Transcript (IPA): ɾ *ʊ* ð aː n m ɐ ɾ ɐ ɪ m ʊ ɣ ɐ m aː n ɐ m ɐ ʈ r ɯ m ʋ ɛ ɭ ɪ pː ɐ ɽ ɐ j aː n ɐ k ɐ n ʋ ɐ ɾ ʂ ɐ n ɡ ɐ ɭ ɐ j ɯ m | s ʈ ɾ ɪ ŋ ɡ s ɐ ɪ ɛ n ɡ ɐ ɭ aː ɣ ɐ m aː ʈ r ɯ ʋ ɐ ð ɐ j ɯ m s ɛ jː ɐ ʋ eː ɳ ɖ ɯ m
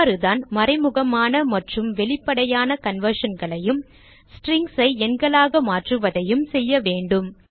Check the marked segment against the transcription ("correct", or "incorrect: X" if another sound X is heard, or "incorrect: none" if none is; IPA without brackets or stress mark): incorrect: ɯ